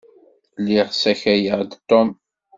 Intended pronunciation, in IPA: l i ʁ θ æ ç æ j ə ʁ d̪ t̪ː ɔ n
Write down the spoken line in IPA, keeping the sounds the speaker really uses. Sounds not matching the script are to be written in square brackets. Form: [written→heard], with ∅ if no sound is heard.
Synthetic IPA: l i ʁ [θ→s] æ ç æ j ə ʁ d̪ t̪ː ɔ [n→m]